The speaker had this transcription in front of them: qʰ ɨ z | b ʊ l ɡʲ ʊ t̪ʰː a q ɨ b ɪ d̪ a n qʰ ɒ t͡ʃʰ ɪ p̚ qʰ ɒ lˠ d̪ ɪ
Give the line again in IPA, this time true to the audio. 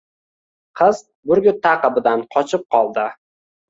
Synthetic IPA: qʰ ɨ z | b ʊ ɾ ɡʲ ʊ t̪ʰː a q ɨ b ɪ d̪ a n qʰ ɒ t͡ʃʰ ɪ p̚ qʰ ɒ lˠ d̪ ɪ